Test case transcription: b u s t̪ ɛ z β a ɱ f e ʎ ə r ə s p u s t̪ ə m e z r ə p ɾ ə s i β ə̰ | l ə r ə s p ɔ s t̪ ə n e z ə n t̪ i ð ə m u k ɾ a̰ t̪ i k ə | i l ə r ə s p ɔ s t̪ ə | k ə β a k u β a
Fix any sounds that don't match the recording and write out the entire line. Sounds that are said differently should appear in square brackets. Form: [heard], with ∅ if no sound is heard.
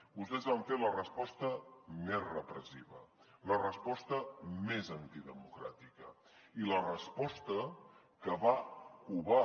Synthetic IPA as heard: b u s t̪ ɛ z β a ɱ f e [l] ə r ə s p [ɔ] s t̪ ə m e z r ə p ɾ ə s i β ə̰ | l ə r ə s p ɔ s t̪ ə [m] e z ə n t̪ i ð ə m u k ɾ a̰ t̪ i k ə | i l ə r ə s p ɔ s t̪ ə | k ə β a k u β a